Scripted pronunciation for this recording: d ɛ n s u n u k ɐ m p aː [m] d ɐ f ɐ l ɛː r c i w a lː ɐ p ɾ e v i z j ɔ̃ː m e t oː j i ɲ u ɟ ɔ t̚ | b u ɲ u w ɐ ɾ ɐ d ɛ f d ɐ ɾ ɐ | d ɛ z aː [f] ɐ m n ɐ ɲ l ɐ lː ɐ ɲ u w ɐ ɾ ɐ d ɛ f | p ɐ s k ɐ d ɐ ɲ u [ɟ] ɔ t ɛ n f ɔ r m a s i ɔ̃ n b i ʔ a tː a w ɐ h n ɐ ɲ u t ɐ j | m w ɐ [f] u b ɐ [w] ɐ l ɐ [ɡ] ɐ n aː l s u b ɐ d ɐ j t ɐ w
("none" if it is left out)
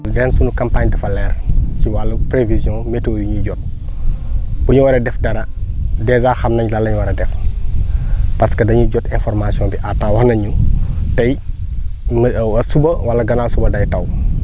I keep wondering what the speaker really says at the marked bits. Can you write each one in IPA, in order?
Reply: ɲ, x, ɟ, s, w, ɡ

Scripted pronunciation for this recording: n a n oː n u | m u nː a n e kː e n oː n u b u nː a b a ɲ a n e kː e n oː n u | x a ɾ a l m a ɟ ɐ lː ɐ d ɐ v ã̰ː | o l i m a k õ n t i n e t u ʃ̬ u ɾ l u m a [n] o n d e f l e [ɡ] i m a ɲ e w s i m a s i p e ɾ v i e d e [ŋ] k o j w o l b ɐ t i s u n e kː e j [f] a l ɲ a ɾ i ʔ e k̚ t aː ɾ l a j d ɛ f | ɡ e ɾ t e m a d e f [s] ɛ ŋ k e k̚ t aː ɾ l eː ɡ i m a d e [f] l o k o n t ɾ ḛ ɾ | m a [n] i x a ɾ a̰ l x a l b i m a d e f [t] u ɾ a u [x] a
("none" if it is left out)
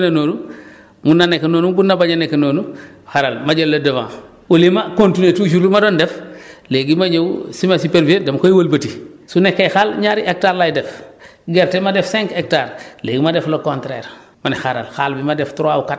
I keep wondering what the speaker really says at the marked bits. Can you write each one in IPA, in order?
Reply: d, ɡ, m, x, s, f, n, t, k

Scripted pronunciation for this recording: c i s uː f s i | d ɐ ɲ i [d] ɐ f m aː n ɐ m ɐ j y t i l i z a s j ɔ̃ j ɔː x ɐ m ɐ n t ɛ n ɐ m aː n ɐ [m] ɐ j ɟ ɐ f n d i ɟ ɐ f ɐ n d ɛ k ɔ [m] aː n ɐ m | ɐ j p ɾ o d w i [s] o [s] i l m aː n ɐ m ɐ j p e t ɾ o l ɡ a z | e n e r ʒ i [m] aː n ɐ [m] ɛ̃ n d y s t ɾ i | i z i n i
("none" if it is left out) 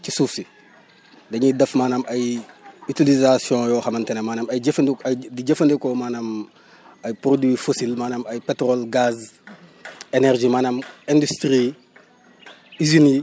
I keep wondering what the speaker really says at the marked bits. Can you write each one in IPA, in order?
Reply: d, m, m, f, s, m, m

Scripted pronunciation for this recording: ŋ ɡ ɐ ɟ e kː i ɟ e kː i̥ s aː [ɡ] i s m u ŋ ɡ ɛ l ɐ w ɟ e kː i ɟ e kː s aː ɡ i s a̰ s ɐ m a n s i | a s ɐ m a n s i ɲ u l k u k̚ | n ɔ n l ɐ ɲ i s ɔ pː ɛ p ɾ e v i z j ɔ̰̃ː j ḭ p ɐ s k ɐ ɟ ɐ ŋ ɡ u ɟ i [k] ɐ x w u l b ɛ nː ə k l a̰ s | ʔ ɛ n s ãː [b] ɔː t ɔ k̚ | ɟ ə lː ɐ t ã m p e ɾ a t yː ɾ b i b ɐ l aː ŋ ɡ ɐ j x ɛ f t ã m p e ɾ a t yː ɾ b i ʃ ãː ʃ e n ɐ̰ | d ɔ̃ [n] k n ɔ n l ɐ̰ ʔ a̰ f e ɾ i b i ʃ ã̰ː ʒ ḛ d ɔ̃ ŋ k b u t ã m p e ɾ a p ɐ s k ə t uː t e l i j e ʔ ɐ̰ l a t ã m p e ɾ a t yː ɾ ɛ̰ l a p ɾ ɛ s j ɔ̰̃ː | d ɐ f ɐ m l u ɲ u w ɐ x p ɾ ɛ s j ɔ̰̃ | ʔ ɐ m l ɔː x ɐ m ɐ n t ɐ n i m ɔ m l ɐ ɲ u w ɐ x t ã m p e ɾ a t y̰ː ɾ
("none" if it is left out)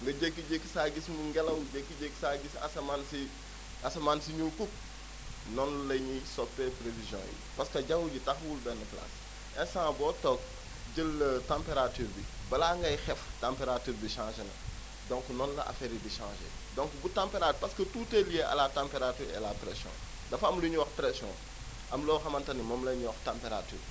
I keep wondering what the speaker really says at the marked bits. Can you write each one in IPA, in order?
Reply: ɡ, t, b, ŋ

